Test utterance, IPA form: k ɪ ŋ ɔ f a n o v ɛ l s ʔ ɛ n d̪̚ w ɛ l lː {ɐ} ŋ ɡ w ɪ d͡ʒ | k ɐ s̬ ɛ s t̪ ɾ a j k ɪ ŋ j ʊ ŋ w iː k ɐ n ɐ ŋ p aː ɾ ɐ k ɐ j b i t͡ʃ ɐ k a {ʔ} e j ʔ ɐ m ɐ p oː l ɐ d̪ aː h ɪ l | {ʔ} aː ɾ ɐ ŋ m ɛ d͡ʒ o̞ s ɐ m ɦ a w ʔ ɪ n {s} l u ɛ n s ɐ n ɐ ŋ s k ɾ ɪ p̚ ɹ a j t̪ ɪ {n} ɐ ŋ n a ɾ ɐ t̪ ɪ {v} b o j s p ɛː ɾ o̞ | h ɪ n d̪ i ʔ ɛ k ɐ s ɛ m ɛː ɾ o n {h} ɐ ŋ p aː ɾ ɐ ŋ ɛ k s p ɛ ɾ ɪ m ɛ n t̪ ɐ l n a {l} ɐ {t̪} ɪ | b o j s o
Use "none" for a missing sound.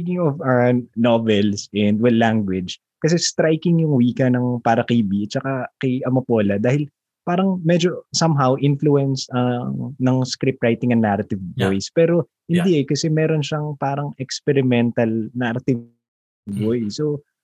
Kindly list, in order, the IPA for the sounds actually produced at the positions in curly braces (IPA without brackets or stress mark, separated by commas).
a, k, p, f, ŋ, v, ʃ, ɾ, t̪